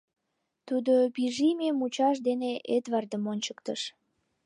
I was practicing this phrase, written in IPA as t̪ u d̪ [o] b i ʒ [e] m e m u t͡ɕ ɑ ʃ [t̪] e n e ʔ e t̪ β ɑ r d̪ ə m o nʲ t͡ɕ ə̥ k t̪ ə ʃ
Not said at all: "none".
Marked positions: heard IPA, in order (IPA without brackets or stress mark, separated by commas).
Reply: o, i, d̪